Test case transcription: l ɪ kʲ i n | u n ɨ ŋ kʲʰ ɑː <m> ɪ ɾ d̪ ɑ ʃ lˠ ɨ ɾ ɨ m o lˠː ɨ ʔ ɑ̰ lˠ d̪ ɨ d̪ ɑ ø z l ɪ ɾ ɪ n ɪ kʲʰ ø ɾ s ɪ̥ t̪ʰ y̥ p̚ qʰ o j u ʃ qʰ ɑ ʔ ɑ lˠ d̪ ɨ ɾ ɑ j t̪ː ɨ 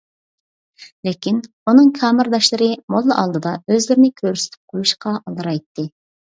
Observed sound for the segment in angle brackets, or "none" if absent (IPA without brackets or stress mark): m